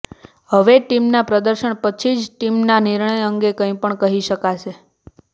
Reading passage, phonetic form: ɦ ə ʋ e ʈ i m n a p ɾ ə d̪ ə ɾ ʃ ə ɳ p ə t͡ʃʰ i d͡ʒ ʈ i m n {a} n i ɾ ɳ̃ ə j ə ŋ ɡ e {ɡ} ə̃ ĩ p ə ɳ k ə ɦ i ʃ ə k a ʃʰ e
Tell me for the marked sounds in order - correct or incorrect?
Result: correct, incorrect: k

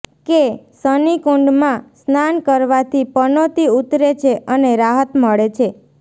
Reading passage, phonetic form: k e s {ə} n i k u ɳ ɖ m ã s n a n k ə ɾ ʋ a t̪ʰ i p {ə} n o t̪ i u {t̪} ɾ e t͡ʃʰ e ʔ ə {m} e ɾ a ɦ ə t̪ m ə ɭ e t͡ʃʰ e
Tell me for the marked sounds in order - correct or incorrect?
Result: correct, correct, correct, incorrect: n

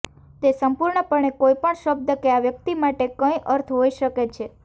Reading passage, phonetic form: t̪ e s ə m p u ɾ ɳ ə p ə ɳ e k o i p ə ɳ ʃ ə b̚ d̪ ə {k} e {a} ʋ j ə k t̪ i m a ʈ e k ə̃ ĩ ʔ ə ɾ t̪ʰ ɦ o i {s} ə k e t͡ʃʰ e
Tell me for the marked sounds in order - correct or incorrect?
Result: correct, correct, incorrect: ʃ

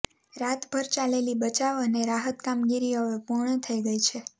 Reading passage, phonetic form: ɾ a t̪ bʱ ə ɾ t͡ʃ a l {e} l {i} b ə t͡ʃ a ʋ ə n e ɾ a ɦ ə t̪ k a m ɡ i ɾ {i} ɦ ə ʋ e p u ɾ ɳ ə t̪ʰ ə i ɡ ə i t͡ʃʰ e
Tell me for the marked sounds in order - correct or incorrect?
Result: correct, correct, correct

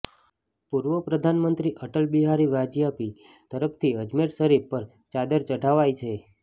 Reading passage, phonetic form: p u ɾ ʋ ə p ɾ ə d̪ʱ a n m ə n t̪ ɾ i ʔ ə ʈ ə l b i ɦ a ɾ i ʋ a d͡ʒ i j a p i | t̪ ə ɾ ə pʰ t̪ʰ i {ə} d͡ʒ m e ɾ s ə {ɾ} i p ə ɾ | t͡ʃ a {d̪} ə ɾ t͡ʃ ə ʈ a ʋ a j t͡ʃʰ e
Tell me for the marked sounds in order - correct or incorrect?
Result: correct, correct, correct

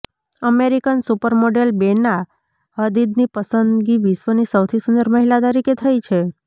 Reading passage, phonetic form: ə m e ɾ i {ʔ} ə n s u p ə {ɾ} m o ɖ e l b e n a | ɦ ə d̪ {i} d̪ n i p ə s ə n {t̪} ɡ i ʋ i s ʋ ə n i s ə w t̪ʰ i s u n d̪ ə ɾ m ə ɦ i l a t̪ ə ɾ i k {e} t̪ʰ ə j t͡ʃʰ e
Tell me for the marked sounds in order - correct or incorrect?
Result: incorrect: k, correct, correct, incorrect: d̪, correct

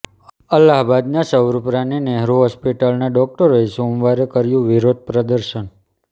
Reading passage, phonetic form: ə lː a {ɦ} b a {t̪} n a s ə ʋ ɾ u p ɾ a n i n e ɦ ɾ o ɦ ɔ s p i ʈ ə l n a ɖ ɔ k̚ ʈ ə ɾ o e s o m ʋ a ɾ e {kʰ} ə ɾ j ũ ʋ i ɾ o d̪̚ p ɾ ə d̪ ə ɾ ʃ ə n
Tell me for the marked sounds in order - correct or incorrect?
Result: correct, incorrect: d̪, incorrect: k

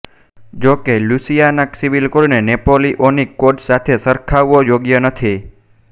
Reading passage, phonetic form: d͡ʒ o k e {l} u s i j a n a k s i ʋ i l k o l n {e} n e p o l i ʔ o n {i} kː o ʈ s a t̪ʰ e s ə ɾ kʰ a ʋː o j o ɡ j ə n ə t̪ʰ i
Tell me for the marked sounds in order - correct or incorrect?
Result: correct, correct, correct

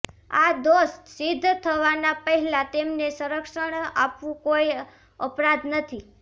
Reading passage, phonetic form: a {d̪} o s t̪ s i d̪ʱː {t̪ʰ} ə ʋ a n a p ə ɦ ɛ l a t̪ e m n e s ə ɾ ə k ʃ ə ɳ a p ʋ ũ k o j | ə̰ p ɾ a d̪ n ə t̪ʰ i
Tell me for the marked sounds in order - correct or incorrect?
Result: correct, correct

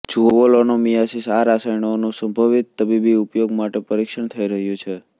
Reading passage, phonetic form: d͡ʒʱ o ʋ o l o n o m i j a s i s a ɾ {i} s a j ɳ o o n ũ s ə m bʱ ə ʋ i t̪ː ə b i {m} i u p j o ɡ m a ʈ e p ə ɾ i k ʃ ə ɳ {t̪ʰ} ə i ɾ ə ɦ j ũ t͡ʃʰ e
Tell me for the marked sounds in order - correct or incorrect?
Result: incorrect: a, incorrect: b, correct

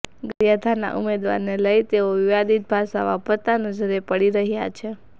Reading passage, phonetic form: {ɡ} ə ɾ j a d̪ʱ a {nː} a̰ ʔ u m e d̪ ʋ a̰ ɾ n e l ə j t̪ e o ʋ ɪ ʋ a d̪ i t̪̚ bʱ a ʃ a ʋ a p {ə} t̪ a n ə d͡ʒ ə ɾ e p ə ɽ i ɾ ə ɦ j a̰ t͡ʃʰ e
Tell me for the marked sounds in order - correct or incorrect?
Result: correct, incorrect: n, correct

